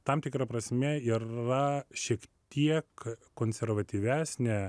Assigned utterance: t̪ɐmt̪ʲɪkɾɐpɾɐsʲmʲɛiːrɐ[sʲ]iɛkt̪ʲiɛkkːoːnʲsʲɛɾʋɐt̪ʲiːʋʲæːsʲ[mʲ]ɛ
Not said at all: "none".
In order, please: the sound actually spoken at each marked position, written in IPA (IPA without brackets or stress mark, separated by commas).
ʃʲ, nʲ